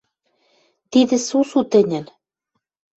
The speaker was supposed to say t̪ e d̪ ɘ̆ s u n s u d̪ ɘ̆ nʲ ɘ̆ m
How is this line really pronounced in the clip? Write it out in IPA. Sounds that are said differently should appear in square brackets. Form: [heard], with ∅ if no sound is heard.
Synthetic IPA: t̪ [i] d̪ ɘ̆ s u [∅] s u [t̪] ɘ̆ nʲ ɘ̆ [n]